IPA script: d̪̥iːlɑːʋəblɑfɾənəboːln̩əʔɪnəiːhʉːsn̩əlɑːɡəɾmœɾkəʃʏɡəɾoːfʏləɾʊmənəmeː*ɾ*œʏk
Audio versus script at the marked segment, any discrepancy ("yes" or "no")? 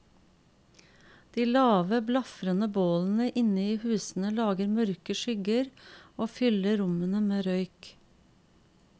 no